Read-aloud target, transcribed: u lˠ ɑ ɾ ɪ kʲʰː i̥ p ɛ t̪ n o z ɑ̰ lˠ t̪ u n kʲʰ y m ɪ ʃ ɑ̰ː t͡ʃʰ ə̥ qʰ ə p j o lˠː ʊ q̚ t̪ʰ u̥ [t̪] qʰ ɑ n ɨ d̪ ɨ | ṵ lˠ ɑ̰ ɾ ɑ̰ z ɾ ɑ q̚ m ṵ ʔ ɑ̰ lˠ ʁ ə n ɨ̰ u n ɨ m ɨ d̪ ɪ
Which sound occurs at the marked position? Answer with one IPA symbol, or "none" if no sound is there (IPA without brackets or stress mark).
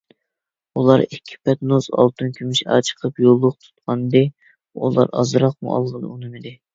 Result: t̪